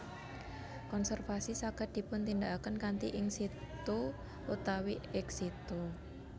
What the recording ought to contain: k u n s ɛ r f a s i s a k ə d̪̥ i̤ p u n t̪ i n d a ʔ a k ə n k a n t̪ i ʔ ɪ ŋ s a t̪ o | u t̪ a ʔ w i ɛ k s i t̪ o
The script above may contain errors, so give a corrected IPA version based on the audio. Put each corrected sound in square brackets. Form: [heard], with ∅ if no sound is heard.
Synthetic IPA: k [ɔ] n s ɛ r f a s i s a k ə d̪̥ i̤ p [ʊ] n t̪ i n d a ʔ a k ə n k a n t̪ i ʔ ɪ ŋ s [i] t̪ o | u t̪ a [∅] w i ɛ k s i t̪ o